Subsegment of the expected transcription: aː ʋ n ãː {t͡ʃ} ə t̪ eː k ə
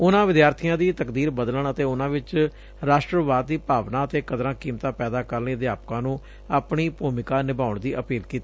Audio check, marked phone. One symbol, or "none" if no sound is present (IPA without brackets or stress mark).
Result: none